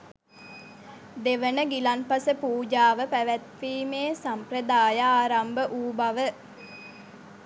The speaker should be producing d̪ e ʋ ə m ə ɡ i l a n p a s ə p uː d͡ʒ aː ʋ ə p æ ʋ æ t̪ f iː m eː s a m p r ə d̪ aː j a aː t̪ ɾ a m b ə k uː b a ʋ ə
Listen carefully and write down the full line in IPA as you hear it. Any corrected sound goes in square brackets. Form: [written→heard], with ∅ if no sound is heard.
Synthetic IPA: d̪ e ʋ ə [m→n] ə ɡ i l a n p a s ə p uː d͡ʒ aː ʋ ə p æ ʋ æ t̪ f iː m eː s a m p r ə d̪ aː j a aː [t̪→∅] ɾ a m b ə [k→ʔ] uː b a ʋ ə